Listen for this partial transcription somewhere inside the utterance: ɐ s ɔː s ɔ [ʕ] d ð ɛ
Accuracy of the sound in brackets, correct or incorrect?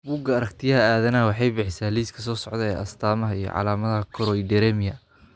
correct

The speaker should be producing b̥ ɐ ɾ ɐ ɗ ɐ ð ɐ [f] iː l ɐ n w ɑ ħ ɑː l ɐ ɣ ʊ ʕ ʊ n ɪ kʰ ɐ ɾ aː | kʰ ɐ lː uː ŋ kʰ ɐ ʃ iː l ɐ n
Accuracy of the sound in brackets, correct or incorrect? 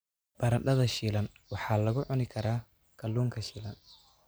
incorrect: ʃ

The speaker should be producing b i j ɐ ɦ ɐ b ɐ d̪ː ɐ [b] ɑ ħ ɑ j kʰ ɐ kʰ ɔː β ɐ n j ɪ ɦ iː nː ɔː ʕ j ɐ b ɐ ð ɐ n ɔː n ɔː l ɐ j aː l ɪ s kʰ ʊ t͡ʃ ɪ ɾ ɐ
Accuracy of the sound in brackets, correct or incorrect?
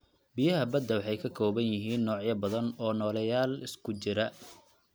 incorrect: w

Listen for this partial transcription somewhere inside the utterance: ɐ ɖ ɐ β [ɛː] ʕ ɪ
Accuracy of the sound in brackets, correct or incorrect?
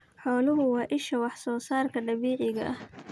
incorrect: iː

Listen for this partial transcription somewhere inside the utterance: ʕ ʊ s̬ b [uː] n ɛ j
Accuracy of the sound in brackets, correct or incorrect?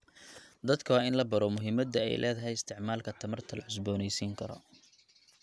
incorrect: ɔː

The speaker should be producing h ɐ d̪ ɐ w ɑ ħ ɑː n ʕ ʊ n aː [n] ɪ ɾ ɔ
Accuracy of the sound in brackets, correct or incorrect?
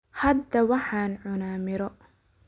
incorrect: m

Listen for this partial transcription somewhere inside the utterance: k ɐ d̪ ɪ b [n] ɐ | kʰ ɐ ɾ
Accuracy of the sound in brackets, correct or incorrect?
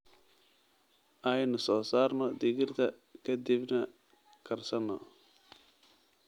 correct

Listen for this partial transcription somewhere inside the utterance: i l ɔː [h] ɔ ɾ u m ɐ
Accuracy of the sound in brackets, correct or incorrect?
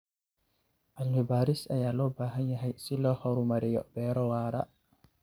correct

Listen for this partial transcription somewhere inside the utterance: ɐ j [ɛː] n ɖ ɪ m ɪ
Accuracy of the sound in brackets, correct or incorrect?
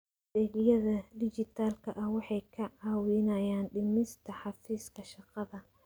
incorrect: aː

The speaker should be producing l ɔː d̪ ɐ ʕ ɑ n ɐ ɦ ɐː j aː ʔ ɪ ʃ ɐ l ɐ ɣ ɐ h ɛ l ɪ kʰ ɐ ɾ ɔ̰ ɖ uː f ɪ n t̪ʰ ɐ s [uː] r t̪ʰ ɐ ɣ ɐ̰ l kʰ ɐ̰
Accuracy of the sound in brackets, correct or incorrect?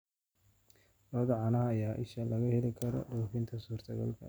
correct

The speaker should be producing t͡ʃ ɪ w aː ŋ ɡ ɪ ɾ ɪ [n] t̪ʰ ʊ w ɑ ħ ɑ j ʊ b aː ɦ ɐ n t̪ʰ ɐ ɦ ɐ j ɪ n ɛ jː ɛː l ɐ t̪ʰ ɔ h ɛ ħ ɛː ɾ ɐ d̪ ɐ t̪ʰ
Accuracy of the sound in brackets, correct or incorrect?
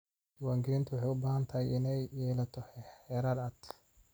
correct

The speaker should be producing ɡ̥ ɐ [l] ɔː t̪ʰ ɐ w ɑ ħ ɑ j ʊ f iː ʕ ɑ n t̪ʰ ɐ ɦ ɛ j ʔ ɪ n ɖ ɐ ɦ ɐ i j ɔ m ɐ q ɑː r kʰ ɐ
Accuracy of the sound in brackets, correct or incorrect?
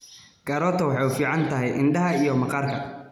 incorrect: ɾ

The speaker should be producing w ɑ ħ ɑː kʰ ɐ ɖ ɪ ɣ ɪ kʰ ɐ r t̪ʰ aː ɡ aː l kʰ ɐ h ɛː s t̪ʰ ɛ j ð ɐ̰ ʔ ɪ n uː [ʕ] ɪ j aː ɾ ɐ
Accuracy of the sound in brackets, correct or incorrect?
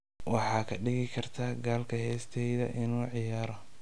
correct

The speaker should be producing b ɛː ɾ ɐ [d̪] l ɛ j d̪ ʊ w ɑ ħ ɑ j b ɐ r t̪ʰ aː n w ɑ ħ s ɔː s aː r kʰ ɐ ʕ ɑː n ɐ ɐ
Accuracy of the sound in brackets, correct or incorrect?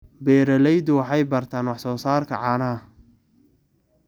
incorrect: none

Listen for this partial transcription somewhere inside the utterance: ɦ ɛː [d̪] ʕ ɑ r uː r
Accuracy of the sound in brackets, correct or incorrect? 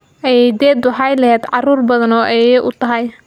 correct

